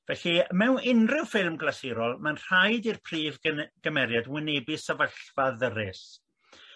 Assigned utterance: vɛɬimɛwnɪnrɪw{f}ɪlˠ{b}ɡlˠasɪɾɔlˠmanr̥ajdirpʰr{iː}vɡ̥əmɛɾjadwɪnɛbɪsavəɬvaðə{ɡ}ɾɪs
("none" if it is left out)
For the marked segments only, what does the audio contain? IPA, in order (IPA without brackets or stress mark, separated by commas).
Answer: f, m, iː, none